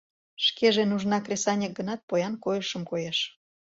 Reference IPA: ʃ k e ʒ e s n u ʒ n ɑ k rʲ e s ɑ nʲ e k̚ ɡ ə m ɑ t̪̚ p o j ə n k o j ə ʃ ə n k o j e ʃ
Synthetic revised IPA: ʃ k e ʒ e n u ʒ n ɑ k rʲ e s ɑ nʲ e k̚ ɡ ə n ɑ t̪̚ p o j ɑ n k o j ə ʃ ə m k o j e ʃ